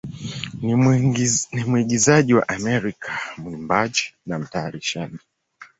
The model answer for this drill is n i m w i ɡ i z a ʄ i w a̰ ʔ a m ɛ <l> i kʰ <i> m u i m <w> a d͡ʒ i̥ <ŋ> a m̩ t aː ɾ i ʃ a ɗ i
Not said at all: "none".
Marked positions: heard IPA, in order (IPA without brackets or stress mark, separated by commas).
ɾ, a, b, n